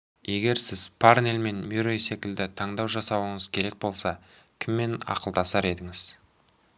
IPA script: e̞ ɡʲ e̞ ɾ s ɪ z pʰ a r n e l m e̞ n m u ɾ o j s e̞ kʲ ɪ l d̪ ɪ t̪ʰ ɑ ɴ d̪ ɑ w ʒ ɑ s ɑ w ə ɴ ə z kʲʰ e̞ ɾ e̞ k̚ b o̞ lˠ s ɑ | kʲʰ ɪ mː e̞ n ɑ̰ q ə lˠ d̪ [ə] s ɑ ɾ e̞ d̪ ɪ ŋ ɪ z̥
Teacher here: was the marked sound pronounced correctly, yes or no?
no